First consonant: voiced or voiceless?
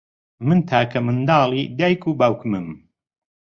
voiced